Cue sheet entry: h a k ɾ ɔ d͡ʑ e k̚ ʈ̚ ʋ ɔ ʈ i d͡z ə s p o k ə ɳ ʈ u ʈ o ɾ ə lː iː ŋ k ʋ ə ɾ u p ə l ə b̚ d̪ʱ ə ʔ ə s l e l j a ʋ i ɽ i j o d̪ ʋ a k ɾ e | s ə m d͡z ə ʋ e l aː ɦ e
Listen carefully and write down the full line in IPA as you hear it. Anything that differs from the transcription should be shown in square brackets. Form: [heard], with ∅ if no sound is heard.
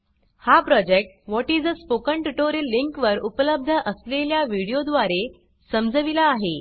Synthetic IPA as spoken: h a [p] ɾ ɔ d͡ʑ e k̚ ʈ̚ ʋ ɔ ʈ i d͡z ə s p o k ə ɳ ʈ u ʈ o ɾ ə lː [i] ŋ k ʋ ə ɾ u p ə l ə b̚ d̪ʱ ə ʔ ə s l e l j a ʋ i ɽ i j o d̪ ʋ a [∅] ɾ e | s ə m d͡z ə ʋ [i] l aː ɦ e